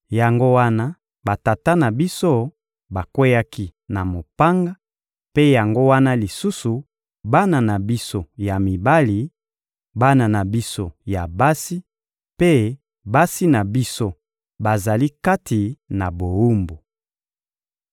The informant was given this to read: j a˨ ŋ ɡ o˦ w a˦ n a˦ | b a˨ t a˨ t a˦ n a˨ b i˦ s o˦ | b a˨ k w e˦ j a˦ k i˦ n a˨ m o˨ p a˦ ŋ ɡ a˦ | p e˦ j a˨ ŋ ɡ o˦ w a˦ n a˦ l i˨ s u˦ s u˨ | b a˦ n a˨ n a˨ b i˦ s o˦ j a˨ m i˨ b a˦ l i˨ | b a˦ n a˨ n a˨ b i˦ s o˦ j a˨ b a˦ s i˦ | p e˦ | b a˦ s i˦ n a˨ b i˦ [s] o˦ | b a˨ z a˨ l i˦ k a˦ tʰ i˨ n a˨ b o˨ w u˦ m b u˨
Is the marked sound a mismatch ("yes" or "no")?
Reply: no